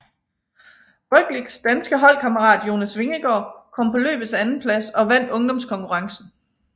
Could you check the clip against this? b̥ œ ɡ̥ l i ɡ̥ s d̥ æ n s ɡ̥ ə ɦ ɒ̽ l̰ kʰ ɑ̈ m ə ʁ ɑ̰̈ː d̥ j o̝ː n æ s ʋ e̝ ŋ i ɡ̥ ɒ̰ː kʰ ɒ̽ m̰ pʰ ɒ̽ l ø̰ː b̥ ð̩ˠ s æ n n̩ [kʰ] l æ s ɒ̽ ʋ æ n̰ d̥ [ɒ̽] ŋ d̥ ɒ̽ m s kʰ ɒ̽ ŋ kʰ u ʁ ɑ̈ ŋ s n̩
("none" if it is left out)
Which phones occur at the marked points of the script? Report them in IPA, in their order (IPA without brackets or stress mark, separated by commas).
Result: pʰ, ɔ̽